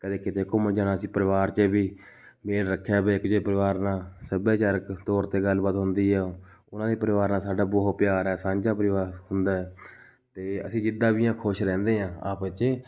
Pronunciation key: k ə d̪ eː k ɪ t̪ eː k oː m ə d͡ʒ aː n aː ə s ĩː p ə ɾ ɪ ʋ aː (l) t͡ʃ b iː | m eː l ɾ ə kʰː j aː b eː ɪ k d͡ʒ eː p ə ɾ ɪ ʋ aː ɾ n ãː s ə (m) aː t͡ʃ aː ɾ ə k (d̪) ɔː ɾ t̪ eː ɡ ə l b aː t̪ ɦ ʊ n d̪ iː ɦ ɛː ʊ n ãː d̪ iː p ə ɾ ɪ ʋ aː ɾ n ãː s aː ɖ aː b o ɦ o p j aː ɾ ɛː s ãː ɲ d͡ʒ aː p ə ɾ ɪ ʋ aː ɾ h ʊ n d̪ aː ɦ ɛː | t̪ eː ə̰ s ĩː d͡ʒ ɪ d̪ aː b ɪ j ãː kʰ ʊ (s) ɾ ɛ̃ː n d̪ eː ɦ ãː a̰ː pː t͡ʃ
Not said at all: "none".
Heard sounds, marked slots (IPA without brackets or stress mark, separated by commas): ɾ, b, t̪, ʃ